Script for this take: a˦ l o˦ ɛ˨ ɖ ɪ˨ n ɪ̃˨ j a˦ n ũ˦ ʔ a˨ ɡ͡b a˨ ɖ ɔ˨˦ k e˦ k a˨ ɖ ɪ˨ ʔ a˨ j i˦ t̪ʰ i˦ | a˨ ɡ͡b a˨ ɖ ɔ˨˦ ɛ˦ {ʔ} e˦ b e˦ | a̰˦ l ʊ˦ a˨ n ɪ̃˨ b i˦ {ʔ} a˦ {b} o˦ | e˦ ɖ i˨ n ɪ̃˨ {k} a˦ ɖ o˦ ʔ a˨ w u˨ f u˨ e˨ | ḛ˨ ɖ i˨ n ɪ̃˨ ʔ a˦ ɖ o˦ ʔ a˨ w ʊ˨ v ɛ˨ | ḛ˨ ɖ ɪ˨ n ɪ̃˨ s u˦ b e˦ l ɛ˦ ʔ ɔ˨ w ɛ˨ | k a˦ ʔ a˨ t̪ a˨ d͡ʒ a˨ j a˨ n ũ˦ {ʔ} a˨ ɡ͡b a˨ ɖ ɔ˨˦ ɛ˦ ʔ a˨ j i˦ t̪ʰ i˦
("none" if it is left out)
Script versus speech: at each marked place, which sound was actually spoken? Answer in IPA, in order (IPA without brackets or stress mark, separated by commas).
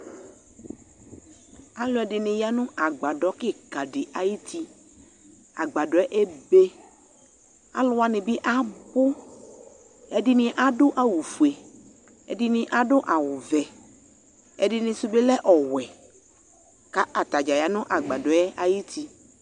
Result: ʔ, ʔ, b, ʔ, ʔ